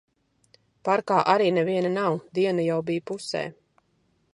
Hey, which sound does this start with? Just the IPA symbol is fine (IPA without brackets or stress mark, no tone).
p